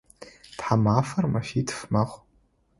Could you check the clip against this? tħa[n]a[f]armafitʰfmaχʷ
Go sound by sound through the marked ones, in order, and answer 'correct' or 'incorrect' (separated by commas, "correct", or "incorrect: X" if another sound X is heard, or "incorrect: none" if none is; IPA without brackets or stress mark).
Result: incorrect: m, correct